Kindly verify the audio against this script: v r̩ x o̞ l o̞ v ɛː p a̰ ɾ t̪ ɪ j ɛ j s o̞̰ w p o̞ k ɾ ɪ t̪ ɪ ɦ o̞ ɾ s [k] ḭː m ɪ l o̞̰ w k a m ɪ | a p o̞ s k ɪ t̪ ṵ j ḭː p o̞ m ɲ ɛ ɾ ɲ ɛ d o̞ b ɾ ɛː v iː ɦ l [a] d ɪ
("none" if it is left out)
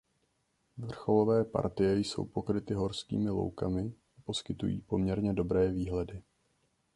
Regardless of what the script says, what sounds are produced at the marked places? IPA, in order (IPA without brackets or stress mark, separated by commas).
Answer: k, ɛ